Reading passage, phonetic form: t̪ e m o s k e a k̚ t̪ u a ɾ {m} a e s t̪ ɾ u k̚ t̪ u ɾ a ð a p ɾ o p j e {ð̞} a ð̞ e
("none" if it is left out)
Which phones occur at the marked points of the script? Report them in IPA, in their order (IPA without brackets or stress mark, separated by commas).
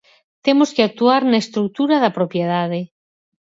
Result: n, ð̞